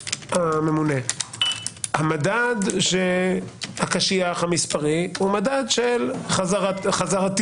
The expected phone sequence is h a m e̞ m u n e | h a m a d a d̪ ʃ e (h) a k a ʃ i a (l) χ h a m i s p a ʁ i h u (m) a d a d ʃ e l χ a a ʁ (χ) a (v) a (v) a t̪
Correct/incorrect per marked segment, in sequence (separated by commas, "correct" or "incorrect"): correct, incorrect, correct, correct, incorrect, incorrect